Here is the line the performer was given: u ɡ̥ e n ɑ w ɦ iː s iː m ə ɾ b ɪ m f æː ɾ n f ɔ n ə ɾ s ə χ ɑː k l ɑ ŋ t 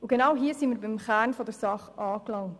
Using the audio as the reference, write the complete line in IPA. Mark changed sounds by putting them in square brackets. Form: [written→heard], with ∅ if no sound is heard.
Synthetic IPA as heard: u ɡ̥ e n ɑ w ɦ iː s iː m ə ɾ b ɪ m [f→χ] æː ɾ n f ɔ [n→d] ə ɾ s [ə→ɑ] χ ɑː k l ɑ ŋ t